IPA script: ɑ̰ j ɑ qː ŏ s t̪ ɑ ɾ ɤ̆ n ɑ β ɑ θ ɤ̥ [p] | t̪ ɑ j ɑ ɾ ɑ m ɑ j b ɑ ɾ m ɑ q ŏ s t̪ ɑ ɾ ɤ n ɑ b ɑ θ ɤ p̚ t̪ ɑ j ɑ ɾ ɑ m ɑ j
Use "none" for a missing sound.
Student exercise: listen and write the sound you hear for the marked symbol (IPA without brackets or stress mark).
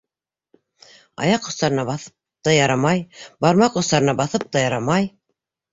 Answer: p